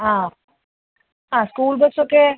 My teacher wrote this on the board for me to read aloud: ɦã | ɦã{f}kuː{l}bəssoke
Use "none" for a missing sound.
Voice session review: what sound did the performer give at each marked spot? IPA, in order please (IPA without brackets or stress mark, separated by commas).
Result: s, l